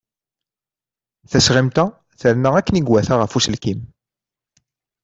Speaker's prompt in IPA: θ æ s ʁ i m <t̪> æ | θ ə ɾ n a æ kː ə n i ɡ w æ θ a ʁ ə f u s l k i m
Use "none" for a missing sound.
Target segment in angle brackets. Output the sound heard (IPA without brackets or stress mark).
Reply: t̪